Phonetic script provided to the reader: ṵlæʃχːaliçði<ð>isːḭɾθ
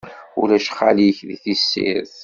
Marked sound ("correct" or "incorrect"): incorrect